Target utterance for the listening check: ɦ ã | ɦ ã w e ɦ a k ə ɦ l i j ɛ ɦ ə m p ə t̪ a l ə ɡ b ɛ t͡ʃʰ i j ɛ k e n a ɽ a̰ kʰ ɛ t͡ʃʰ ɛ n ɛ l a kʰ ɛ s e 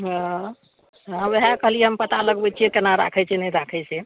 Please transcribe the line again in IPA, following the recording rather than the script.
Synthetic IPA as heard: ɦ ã | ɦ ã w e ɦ a k ə ɦ l i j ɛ ɦ ə m p ə t̪ a l ə ɡ b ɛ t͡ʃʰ i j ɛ k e n a ɾ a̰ kʰ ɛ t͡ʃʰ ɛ n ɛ ɾ a kʰ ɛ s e